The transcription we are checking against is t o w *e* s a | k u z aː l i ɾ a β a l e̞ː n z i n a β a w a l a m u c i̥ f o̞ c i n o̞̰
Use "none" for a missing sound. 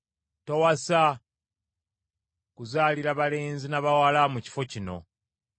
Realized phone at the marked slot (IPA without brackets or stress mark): a